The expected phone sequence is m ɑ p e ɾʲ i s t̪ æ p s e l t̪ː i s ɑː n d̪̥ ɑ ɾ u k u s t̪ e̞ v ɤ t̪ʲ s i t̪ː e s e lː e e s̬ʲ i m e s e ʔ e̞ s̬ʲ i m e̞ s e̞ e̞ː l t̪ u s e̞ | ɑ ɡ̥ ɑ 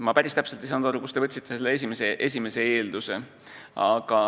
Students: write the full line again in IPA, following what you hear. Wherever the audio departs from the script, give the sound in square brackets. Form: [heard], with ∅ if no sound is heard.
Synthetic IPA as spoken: m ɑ p [æ] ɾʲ i s t̪ æ p s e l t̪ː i s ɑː n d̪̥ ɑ ɾ u k u s t̪ e̞ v ɤ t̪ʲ s i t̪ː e s e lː e e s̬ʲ i m e s e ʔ e̞ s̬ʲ i m e̞ s e̞ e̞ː l [d̪] u s e̞ | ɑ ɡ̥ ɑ